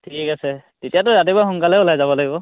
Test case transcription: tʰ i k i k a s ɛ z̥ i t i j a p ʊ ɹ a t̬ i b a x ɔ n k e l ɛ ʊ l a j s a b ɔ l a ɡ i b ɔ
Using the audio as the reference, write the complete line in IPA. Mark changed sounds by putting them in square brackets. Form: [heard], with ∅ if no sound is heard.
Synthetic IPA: tʰ i k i k a s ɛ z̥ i t i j a [t] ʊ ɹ a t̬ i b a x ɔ [ŋ] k [a] l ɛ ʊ l a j [z] a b ɔ l a ɡ i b ɔ